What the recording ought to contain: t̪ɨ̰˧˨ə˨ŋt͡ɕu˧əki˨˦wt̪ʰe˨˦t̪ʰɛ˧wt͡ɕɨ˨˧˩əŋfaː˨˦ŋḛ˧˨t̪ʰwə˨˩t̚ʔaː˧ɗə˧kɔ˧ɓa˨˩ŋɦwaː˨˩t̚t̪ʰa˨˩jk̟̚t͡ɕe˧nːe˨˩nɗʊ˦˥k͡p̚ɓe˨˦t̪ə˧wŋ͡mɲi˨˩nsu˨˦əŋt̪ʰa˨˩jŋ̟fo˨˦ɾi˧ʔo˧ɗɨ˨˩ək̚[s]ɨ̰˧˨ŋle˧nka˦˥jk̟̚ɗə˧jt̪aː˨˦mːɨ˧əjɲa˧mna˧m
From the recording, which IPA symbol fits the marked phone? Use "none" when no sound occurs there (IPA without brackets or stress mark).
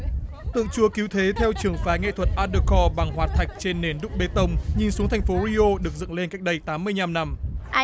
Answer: z